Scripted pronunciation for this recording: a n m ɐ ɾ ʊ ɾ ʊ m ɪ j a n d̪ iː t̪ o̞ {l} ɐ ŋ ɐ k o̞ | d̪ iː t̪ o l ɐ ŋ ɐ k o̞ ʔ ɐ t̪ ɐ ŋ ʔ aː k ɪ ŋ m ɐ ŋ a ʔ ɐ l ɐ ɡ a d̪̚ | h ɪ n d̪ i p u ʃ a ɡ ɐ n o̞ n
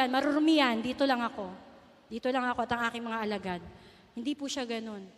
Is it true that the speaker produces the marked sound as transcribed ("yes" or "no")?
yes